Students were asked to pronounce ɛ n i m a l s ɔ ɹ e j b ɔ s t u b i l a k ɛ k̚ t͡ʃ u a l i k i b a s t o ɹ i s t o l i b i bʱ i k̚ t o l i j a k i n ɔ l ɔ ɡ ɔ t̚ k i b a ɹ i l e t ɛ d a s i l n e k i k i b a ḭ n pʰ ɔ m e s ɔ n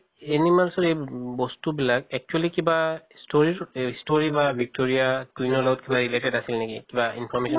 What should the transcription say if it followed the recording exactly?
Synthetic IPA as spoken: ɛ n i m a l s ɔ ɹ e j b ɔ s t u b i l a k ɛ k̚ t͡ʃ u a l i k i b a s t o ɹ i s t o ɹ i b a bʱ i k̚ t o ɹ i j a k i n ɔ l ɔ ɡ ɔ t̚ k i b a ɹ i l e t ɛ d a s i l n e k i k i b a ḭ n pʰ ɔ m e s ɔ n